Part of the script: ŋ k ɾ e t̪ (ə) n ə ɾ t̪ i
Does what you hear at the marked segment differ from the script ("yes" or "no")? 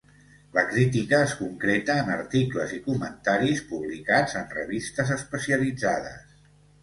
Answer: yes